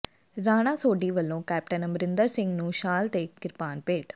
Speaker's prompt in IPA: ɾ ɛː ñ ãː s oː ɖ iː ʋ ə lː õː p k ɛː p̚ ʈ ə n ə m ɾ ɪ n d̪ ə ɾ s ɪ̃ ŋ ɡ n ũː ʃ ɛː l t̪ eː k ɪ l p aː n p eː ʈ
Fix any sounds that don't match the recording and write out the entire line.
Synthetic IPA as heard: ɾ aː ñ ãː s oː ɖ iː ʋ ə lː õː k ɛː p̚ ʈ ə n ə m ɾ ɪ n d̪ ə ɾ s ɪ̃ ŋ ɡ n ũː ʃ aː l t̪ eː k ɪ ɾ p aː n p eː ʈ